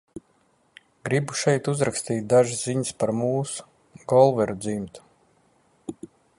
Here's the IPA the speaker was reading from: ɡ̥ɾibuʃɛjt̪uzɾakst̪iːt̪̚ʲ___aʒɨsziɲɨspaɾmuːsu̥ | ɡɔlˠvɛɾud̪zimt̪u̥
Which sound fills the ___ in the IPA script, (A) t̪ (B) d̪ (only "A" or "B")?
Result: B